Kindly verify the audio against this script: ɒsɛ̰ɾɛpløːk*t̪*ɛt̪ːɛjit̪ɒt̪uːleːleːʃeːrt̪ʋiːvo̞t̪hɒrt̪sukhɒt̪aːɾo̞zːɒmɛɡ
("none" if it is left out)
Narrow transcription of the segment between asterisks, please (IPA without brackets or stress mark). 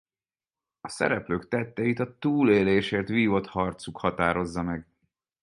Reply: t̪